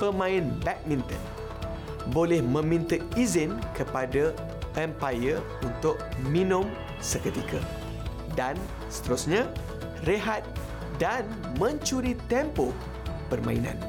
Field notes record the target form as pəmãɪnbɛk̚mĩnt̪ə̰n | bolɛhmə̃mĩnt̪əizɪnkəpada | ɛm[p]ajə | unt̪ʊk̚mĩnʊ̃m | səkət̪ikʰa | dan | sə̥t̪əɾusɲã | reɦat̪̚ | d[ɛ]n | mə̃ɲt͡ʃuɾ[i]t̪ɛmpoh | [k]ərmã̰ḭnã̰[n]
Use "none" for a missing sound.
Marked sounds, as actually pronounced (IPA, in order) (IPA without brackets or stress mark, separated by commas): p, a, i, p, n